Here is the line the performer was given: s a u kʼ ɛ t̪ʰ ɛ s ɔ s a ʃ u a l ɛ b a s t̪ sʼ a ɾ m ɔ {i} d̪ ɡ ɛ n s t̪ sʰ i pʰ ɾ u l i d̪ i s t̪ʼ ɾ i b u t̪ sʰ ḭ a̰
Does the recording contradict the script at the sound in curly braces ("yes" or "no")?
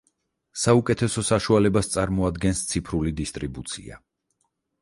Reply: yes